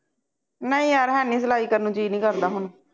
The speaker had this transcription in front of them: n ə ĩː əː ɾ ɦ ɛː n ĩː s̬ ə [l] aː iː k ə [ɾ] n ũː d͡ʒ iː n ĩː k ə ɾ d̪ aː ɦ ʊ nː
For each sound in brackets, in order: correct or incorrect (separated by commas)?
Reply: correct, correct